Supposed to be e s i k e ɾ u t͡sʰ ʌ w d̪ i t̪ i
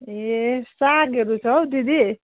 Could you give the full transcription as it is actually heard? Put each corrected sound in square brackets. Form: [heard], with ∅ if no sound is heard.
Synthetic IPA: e s [a] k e ɾ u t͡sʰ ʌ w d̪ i [d̪] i